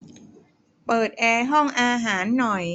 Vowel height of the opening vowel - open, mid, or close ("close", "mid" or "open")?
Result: mid